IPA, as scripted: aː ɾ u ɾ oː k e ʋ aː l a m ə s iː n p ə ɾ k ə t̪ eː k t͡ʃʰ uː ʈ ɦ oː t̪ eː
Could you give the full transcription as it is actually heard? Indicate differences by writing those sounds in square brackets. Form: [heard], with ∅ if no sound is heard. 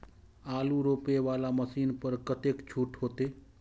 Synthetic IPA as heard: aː [l] u ɾ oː [p] e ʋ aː l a m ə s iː n p ə ɾ k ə t̪ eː k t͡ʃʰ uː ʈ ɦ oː t̪ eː